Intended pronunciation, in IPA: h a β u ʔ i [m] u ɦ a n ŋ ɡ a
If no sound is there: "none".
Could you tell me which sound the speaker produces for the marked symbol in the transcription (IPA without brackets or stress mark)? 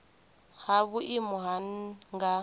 m